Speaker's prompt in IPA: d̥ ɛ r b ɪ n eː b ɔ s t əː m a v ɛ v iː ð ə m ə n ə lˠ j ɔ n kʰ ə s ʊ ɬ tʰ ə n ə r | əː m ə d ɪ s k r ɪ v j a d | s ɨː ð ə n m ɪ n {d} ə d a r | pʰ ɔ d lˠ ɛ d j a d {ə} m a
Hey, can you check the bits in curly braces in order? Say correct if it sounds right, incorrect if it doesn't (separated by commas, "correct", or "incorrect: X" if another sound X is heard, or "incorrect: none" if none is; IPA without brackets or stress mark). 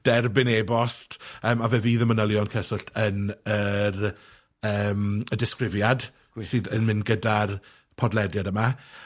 incorrect: ɡ, correct